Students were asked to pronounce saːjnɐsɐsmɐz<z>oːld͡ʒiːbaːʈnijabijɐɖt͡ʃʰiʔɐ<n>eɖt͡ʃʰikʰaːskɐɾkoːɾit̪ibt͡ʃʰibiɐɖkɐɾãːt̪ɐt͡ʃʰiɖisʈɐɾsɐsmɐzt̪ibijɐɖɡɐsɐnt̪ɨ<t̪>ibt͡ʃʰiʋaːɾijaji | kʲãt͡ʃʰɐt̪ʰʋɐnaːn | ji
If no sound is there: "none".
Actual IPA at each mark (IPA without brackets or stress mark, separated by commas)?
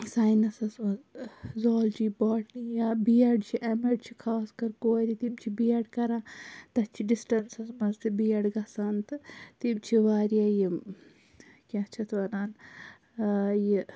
z, m, t̪